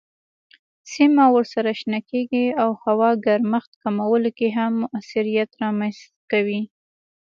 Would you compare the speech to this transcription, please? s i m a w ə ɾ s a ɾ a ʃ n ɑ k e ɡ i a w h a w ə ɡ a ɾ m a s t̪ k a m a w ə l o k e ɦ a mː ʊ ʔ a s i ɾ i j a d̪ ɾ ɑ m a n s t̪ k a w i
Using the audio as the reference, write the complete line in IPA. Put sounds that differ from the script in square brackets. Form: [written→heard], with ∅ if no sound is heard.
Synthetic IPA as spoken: s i m a w ə ɾ s a ɾ a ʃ n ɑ k e ɡ i a w h a w [ə→ɑ] ɡ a ɾ m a [s→x] t̪ k a m a w ə l o k e ɦ a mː ʊ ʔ a s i ɾ i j a [d̪→t̪] ɾ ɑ m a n s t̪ k a w i